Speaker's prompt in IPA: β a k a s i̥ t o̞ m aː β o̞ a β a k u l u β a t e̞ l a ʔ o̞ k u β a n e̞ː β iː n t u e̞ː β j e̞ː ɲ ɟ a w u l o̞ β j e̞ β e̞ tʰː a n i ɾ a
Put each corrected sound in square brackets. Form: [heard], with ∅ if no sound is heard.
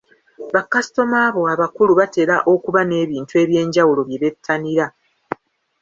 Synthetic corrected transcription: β a k a s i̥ t o̞ m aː β o̞ a β a k u l u β a t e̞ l a ʔ o̞ k u β a n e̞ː β iː n t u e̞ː β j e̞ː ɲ ɟ a w u l o̞ β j e̞ β e̞ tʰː a n i ɾ a